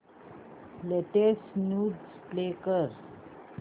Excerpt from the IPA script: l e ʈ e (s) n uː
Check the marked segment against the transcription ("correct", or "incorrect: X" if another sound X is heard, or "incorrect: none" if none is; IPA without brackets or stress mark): correct